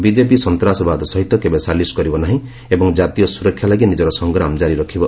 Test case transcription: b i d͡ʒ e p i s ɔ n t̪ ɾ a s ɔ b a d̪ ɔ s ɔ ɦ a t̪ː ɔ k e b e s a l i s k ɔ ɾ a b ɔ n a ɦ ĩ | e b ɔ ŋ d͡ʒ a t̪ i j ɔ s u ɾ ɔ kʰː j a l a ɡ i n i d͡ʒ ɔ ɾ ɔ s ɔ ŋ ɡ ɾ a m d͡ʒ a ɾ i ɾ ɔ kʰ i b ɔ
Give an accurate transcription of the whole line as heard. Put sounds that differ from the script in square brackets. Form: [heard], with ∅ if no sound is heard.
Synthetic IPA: b i d͡ʒ e p i s ɔ n t̪ ɾ a s ɔ b a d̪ ɔ s ɔ ɦ [i] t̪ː ɔ k e b e s a l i s k ɔ ɾ [i] b ɔ n a ɦ ĩ | e b ɔ ŋ d͡ʒ a t̪ i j ɔ s u ɾ ɔ kʰː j a l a ɡ i n i d͡ʒ ɔ ɾ ɔ s ɔ ŋ ɡ ɾ a m d͡ʒ a ɾ i ɾ ɔ kʰ i b ɔ